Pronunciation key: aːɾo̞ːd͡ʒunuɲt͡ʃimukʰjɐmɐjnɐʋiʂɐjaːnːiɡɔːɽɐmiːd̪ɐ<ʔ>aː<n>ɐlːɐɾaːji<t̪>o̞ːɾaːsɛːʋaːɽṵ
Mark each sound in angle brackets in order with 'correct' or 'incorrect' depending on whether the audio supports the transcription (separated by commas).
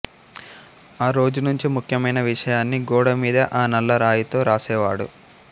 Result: correct, correct, correct